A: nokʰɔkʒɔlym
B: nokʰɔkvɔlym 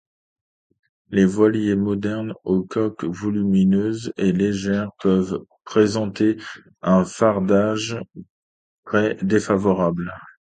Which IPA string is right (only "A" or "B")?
B